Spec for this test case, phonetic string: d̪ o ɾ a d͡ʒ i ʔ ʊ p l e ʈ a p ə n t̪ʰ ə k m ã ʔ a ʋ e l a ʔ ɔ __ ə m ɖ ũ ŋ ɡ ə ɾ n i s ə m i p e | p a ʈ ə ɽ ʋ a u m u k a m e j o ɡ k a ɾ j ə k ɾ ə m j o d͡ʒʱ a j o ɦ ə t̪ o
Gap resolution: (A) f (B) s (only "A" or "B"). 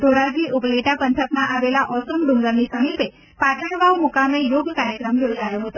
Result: B